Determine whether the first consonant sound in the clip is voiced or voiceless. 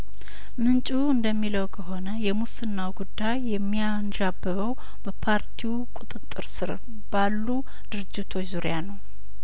voiced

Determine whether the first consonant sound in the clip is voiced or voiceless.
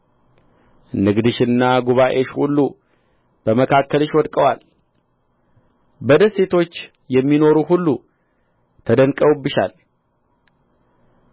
voiced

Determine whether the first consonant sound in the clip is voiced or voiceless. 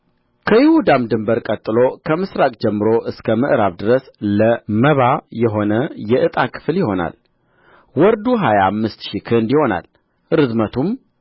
voiceless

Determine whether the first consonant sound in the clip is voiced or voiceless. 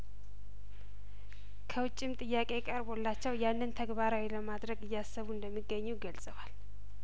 voiceless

